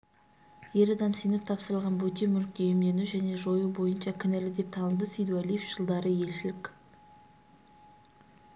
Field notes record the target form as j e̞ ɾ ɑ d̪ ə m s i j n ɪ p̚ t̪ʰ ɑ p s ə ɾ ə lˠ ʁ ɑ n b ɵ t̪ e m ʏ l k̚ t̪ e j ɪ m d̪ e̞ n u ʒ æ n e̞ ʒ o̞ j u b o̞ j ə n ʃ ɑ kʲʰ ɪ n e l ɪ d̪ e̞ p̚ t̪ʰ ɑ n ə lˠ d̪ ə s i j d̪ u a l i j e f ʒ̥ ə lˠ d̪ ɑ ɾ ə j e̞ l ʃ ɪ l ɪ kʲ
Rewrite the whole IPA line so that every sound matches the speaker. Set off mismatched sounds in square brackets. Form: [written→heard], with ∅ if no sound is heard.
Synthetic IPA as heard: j e̞ ɾ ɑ d̪ [ə→ɑ] m s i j n ɪ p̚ t̪ʰ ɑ p s ə ɾ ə lˠ ʁ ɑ n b ɵ t̪ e m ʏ l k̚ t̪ e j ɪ m d̪ e̞ n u ʒ æ n e̞ ʒ o̞ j u b o̞ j ə n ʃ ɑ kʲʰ ɪ n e l ɪ d̪ e̞ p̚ t̪ʰ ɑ n ə lˠ d̪ ə s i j d̪ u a l i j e f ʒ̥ ə lˠ d̪ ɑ ɾ ə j e̞ l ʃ ɪ l ɪ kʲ